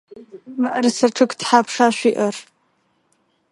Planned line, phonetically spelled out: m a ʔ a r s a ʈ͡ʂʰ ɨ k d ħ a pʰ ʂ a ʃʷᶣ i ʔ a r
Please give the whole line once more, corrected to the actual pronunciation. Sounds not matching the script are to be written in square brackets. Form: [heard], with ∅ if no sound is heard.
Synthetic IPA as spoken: m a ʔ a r s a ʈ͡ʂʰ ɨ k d ħ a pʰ ʂ a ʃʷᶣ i ʔ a r